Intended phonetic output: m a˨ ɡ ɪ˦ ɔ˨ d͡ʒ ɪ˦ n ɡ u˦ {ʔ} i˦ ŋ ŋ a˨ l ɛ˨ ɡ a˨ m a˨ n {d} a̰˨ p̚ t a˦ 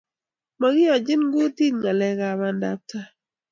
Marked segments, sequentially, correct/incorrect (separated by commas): incorrect, correct